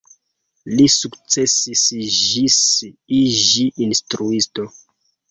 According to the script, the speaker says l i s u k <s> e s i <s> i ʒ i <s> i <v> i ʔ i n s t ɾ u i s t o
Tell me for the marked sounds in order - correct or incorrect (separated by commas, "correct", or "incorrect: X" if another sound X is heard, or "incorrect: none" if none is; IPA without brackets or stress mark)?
incorrect: t͡s, correct, correct, incorrect: ʒ